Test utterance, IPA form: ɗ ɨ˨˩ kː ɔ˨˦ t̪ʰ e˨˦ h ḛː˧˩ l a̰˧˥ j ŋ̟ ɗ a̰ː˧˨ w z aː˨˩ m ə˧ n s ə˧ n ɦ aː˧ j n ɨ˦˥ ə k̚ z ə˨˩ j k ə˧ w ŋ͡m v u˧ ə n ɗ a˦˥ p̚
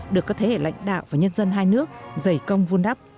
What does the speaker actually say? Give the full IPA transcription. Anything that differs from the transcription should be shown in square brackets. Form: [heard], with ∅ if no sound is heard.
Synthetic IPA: ɗ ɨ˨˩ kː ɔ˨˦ t̪ʰ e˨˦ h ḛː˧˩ l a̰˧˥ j ŋ̟ ɗ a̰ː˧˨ w [v] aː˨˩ [ɲ] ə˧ n [z] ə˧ n ɦ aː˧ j n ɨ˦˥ ə k̚ z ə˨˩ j k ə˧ w ŋ͡m v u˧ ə n ɗ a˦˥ p̚